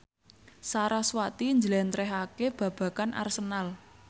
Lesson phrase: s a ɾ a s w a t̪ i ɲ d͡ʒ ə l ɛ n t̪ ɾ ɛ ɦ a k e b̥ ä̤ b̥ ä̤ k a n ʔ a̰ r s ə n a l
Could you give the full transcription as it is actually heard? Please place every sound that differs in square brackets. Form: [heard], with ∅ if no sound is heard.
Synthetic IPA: s a ɾ a s w a t̪ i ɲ d͡ʒ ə l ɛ n t̪ ɾ ɛ ɦ a k e b̥ ä̤ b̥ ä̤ k a n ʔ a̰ r s ə n a l